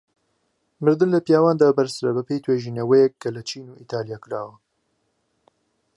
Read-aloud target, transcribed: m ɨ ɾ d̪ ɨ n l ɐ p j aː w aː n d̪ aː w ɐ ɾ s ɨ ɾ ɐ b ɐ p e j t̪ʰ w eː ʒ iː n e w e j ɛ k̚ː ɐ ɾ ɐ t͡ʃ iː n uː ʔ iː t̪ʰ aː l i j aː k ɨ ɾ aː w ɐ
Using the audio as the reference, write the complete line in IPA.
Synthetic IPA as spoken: m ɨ ɾ d̪ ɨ n l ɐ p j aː w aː n d̪ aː b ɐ ɾ s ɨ ɾ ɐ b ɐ p e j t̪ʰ w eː ʒ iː n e w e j ɛ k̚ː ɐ l ɐ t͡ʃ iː n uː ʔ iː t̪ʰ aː l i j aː k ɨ ɾ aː w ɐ